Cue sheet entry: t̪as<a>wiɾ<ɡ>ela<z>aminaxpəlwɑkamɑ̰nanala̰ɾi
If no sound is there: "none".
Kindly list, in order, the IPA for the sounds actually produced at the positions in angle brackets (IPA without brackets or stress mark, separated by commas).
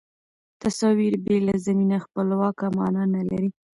ɑ, b, z